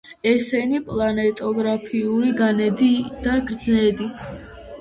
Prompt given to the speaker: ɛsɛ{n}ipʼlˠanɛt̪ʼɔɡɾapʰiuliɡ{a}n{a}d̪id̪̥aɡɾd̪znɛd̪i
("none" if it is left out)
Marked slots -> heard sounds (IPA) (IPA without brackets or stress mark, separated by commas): n, a, ɛ